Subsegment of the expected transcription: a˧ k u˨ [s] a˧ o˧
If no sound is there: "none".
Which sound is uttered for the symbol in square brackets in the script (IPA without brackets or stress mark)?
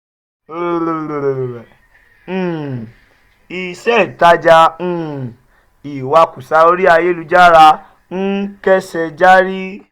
s